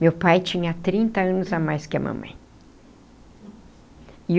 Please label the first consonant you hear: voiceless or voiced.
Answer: voiced